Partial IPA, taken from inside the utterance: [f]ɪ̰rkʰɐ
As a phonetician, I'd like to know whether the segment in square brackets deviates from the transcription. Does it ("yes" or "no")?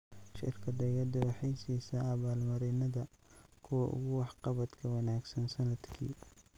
yes